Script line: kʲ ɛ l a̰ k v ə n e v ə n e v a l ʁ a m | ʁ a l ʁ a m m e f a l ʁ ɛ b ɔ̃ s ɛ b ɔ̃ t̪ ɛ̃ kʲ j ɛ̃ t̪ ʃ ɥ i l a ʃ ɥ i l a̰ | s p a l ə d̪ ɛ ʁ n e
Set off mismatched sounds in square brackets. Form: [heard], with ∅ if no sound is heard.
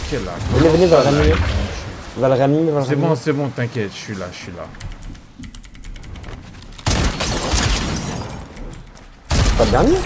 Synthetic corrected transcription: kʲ ɛ l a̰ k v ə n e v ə n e v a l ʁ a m | [v] a l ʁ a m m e [v] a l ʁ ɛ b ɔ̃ s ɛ b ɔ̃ t̪ ɛ̃ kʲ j [ɛ] t̪ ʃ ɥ i l a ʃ ɥ i l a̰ | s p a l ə d̪ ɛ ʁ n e